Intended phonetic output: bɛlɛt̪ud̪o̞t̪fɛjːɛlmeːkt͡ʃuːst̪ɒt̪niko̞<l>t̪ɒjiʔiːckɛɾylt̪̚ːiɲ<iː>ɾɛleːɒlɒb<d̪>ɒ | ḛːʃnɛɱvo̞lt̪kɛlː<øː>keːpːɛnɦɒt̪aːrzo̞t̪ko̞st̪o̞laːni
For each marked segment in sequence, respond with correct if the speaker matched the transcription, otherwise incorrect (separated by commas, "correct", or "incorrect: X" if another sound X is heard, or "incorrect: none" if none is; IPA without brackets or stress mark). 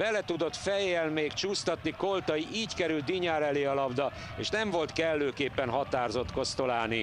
correct, incorrect: aː, correct, correct